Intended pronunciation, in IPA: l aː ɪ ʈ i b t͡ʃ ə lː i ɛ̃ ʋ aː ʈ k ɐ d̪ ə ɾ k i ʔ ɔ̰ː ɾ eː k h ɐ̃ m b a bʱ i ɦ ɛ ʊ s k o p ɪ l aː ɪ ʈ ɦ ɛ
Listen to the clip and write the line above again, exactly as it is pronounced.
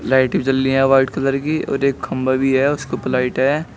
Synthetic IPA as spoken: l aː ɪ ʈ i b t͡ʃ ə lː i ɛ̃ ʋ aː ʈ k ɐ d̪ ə ɾ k i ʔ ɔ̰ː ɾ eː k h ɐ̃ m b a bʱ i ɦ ɛ ʊ s k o p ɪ l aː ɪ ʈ ɦ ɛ